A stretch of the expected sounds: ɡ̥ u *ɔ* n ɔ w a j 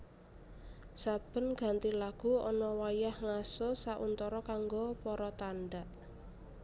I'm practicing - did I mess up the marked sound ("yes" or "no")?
no